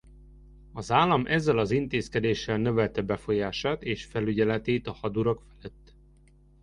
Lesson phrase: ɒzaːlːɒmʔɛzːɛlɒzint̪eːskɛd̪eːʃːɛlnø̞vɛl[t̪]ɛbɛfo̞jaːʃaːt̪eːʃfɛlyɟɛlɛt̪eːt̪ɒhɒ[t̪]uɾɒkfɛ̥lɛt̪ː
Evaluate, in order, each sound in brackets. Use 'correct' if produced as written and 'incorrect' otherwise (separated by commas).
correct, incorrect